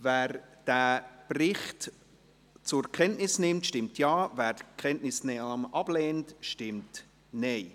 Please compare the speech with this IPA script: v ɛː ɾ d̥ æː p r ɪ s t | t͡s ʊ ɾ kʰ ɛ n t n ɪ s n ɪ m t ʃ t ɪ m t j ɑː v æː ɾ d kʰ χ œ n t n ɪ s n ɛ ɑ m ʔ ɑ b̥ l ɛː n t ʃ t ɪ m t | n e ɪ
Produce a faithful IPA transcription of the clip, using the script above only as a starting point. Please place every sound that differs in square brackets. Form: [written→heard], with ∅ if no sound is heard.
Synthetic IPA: v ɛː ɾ d̥ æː p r ɪ [s→χ] t | t͡s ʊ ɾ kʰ ɛ n t n ɪ s n ɪ m t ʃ t ɪ m t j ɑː v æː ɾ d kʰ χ [œ→ɛ] n t n ɪ s n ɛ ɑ m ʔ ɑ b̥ l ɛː n t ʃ t ɪ m t | n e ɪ